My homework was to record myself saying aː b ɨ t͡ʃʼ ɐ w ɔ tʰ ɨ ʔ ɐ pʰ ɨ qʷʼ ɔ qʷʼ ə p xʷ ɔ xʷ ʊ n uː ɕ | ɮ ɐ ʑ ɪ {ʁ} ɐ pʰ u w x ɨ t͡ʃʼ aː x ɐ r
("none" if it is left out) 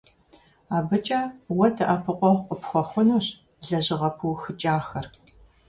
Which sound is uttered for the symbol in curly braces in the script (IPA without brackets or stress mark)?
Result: ʁ